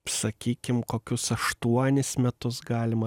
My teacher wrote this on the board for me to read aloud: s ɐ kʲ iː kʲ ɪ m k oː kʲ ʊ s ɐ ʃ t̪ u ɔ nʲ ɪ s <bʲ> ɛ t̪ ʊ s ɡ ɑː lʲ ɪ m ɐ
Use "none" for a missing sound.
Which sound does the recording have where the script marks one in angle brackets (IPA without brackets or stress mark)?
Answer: mʲ